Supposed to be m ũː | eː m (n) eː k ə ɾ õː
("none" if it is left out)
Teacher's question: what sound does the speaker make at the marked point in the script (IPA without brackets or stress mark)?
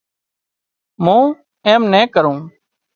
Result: n